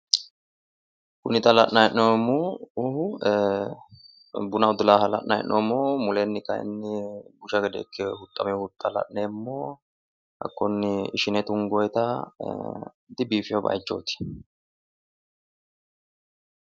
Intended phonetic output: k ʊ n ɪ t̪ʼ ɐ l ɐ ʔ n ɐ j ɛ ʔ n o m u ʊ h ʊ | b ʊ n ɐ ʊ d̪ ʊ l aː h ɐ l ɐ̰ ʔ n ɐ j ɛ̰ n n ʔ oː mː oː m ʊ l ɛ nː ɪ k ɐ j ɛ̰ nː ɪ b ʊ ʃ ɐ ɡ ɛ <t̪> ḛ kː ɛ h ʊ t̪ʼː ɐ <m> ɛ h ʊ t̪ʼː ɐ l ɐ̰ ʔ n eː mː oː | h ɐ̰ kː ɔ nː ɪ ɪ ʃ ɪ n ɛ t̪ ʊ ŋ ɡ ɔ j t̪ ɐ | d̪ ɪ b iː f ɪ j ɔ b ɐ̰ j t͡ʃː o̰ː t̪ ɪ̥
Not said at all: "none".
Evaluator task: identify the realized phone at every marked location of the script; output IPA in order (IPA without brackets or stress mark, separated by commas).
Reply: d̪, m